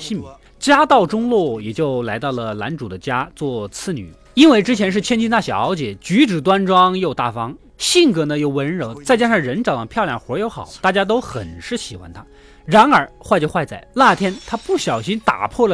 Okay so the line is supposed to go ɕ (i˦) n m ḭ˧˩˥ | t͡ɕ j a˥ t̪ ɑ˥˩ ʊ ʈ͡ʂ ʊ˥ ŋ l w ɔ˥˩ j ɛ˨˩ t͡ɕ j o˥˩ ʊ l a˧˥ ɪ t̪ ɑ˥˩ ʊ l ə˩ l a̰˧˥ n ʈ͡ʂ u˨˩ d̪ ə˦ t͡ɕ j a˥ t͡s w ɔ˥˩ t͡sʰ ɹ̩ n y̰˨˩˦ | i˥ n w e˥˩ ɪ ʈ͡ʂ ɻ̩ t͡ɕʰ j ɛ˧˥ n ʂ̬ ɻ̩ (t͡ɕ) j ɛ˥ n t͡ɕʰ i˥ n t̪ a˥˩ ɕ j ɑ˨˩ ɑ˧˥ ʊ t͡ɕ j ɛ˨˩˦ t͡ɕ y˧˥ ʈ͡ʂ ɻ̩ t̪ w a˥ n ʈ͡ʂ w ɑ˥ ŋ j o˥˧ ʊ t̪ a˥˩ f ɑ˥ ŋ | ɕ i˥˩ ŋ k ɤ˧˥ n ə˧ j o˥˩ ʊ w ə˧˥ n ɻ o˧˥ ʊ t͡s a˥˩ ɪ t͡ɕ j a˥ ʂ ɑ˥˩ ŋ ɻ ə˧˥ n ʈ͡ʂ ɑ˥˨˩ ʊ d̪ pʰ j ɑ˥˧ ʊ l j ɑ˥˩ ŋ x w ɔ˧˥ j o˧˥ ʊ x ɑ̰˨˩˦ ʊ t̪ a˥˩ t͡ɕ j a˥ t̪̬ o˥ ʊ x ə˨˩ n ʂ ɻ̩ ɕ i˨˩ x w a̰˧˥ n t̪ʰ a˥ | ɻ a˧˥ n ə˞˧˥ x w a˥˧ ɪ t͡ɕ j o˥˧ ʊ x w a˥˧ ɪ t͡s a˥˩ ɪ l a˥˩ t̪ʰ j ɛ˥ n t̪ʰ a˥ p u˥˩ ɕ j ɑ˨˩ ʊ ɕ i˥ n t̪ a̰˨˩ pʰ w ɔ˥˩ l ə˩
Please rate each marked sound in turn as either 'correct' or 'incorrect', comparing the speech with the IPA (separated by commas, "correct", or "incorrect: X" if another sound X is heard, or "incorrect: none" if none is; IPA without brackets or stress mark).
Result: incorrect: i˥˩, incorrect: t͡ɕʰ